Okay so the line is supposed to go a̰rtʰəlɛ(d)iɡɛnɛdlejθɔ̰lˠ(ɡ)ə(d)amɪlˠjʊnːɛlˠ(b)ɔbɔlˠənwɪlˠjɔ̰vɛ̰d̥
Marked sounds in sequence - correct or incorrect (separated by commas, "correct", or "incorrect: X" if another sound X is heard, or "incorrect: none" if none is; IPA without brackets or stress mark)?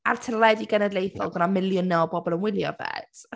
correct, correct, incorrect: n, correct